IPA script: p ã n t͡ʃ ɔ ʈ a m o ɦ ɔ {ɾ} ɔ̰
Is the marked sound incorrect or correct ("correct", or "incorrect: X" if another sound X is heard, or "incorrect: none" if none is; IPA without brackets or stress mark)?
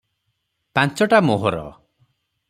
correct